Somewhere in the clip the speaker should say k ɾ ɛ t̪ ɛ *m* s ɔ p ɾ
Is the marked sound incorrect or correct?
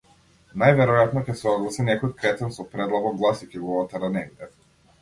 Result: incorrect